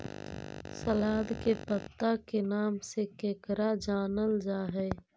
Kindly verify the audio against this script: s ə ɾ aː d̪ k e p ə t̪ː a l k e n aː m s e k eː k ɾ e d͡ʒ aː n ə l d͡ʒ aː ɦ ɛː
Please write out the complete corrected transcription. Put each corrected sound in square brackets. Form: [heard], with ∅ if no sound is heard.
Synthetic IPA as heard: s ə [l] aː d̪ k e p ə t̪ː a [∅] k e n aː m s e k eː k ɾ [a] d͡ʒ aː n ə l d͡ʒ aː ɦ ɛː